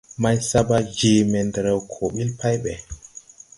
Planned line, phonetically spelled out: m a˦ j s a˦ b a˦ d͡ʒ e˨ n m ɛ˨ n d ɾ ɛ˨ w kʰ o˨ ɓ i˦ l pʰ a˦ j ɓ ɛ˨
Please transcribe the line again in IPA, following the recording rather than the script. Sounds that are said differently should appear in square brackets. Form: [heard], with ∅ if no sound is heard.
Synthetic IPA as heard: m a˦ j s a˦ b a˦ d͡ʒ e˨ [∅] m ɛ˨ n d ɾ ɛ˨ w kʰ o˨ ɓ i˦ l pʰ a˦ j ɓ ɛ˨